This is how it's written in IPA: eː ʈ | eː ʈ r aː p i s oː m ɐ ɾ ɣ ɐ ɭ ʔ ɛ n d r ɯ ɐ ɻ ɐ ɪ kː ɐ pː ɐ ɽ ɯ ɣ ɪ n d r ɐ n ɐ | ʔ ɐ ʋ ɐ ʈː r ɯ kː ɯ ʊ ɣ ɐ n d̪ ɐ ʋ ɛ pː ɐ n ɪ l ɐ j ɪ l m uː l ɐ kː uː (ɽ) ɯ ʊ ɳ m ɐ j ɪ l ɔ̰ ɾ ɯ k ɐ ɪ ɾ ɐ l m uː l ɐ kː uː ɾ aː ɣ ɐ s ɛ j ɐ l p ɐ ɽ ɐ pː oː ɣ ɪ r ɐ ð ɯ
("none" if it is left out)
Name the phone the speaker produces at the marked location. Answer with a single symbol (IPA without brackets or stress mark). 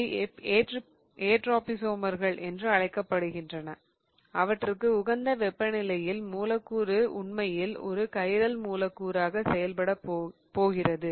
ɾ